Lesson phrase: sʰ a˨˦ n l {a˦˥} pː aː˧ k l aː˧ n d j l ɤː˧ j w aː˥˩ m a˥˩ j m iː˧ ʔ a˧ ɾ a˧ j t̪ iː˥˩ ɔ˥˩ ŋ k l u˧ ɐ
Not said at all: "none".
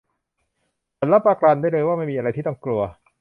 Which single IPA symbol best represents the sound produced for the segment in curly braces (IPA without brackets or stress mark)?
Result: a˦˥